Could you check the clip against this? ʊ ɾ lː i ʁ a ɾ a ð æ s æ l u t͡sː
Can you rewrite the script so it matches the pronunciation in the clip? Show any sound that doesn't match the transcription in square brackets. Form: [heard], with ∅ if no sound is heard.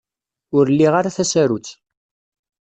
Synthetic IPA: ʊ ɾ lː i ʁ a ɾ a [θ] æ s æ [ɾ] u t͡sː